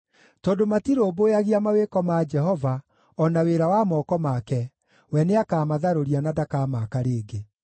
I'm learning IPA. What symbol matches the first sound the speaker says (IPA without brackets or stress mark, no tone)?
t